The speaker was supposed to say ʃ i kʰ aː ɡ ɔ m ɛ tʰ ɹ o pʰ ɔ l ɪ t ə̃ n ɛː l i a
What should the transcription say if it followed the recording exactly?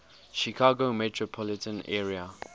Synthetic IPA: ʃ i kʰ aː ɡ o m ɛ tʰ ɹ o pʰ ɔ l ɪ t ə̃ n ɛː ɹ i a